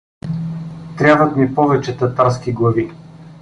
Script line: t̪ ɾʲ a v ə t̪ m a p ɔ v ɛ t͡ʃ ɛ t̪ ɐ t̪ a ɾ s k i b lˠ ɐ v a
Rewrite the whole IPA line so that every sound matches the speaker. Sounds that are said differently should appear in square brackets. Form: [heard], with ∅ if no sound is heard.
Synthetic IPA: t̪ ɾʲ a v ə t̪ m [i] p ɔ v ɛ t͡ʃ ɛ t̪ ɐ t̪ a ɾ s k i [ɡ] lˠ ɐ v [i]